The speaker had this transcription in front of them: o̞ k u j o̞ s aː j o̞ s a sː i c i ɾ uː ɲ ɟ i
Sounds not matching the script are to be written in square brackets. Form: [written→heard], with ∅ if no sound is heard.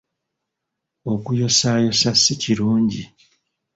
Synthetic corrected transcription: o̞ k u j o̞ s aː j o̞ s a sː i c i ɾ uː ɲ ɟ i